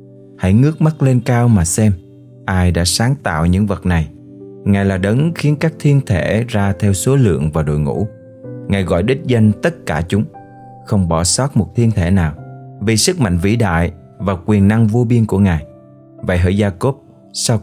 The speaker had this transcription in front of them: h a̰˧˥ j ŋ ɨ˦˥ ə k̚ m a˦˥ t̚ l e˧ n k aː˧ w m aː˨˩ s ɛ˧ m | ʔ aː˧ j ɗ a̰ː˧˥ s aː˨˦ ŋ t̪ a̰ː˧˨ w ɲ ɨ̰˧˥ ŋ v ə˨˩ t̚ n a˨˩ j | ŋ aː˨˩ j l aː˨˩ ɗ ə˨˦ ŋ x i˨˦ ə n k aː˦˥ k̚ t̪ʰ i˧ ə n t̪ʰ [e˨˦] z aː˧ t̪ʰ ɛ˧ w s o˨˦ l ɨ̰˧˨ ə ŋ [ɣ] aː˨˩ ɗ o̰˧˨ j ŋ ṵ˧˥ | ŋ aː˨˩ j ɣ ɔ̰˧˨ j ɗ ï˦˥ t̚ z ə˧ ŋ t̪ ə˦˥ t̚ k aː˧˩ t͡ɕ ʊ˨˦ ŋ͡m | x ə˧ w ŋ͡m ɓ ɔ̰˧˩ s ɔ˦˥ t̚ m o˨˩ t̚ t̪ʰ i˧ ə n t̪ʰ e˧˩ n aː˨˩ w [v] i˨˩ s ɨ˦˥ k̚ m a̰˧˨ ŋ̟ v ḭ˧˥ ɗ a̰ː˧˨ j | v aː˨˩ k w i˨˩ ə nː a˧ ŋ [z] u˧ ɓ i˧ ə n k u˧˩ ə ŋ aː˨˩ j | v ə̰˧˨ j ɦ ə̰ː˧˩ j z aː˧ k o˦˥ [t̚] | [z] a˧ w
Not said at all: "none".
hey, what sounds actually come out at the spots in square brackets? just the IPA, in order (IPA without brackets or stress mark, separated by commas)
e˧˩, v, v, v, p̚, s